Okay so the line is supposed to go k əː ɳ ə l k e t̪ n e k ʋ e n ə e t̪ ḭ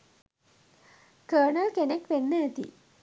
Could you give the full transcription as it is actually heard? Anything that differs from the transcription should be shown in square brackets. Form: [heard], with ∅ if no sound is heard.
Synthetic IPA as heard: k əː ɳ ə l k e [∅] n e k ʋ e [nː] ə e t̪ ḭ